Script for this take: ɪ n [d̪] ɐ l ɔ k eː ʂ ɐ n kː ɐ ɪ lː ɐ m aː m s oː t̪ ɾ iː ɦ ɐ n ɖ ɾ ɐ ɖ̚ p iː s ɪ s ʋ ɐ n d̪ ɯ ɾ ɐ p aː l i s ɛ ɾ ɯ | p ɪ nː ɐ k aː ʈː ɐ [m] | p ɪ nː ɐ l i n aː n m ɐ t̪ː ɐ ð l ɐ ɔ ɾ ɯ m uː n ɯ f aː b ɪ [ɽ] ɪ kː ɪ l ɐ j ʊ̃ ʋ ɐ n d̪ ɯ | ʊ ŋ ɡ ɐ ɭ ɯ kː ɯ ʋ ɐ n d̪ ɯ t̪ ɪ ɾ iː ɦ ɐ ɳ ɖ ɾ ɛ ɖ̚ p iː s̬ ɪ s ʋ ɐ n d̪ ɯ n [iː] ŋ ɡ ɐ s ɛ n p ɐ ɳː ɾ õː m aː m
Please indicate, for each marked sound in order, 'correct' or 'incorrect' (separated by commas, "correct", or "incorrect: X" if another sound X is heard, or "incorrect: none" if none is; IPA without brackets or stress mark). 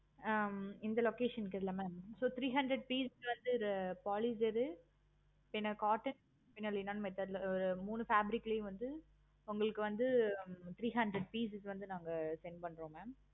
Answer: correct, incorrect: n, incorrect: ɾ, incorrect: aː